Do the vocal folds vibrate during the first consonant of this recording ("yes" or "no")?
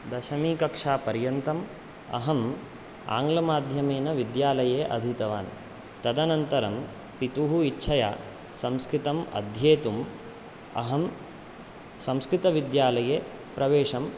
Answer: yes